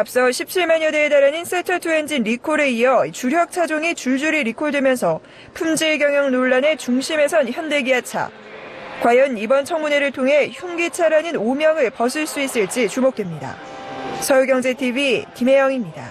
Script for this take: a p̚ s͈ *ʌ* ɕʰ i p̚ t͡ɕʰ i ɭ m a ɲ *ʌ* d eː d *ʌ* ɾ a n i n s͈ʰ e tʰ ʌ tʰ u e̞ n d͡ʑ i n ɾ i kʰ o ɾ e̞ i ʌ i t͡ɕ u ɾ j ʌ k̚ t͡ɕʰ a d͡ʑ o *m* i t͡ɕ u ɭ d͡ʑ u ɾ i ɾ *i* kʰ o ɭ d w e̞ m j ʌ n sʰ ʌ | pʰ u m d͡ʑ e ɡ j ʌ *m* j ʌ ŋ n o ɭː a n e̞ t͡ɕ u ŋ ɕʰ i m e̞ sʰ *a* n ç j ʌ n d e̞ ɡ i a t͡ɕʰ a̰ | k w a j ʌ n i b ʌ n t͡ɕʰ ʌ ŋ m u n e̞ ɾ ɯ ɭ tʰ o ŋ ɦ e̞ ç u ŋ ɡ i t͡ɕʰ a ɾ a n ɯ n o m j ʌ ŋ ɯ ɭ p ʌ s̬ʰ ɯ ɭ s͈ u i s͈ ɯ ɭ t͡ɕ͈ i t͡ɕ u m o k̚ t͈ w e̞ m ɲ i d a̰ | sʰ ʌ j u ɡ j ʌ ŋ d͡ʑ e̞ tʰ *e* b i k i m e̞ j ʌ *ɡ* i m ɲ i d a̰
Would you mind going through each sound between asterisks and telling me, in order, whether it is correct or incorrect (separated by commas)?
correct, correct, incorrect, incorrect, correct, incorrect, incorrect, incorrect, incorrect